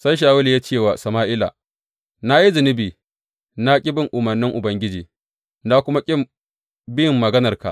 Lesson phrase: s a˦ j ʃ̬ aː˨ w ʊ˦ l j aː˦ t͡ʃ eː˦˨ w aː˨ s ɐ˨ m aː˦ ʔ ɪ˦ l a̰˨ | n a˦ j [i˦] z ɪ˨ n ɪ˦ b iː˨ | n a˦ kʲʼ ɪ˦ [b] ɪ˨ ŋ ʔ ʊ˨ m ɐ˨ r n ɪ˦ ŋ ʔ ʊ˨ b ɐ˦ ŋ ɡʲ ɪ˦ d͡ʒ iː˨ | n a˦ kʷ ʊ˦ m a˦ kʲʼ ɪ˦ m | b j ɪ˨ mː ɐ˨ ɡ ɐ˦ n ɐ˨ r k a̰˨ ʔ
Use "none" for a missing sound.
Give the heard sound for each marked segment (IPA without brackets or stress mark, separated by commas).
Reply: i˦, b